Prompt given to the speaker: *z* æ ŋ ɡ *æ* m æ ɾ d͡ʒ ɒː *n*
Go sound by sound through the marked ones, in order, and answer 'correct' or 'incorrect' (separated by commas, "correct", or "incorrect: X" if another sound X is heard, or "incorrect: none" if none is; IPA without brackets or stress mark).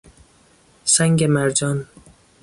incorrect: s, incorrect: e, correct